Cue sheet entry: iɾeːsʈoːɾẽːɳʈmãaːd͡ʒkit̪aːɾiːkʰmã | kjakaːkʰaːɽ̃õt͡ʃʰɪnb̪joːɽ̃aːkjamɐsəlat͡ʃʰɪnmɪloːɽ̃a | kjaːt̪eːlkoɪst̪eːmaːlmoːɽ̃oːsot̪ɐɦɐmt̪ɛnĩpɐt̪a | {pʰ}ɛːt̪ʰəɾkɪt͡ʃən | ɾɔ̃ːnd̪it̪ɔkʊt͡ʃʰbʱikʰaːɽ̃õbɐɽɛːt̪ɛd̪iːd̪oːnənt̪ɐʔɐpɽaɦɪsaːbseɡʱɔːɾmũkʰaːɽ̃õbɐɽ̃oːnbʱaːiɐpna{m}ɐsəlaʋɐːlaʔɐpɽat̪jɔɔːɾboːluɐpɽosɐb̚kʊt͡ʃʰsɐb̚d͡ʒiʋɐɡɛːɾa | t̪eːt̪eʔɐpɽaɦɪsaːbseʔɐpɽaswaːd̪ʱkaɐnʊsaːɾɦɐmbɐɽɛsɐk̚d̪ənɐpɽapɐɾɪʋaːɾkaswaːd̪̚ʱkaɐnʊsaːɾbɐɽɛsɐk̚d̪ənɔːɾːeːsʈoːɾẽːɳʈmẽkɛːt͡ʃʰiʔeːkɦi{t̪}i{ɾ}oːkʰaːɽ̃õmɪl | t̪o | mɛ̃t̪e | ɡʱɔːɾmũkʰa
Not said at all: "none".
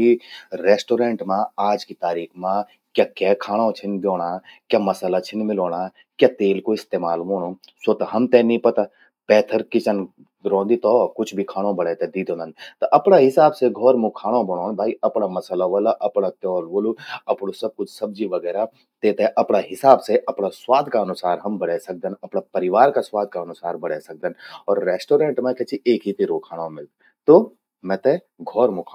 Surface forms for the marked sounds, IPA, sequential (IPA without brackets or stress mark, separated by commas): p, m, t̪, ɾ